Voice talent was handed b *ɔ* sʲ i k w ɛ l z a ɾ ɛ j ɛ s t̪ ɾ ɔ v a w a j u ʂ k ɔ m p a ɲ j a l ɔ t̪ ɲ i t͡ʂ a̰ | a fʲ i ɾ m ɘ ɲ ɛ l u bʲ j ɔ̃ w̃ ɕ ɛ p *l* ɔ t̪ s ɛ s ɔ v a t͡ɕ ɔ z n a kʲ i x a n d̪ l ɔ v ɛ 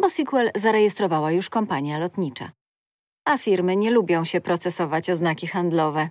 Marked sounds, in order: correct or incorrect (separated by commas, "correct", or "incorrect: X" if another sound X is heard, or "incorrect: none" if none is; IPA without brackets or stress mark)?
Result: correct, incorrect: ɾ